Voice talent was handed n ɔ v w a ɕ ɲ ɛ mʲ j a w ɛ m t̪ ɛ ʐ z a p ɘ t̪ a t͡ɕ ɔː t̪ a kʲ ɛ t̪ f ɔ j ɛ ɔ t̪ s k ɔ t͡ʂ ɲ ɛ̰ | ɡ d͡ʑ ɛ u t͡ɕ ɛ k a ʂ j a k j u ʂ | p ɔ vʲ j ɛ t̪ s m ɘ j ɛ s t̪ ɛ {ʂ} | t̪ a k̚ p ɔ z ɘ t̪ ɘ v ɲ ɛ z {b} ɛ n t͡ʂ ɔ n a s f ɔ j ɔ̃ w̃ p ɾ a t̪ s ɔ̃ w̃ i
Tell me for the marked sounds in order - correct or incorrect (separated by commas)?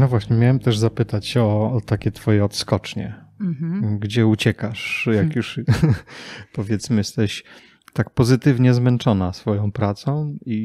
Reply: incorrect, incorrect